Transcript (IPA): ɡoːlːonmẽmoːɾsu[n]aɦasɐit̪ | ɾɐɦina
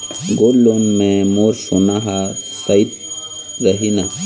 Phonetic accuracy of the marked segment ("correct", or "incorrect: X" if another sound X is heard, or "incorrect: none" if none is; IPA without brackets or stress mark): correct